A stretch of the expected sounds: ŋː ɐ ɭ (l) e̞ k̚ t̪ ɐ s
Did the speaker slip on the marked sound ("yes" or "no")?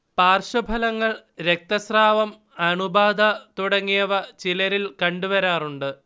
yes